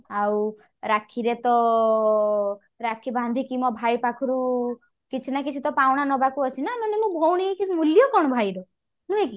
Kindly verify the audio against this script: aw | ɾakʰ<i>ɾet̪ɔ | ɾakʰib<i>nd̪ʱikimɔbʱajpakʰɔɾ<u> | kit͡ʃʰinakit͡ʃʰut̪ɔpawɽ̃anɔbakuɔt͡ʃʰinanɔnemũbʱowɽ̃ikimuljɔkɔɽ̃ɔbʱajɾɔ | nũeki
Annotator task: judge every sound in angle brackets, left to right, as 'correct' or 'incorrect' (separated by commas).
correct, incorrect, correct